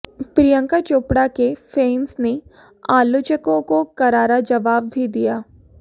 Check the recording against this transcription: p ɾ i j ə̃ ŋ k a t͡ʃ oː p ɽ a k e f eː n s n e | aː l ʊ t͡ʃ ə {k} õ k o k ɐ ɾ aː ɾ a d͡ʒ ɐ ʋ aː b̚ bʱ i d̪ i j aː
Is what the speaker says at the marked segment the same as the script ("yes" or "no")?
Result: yes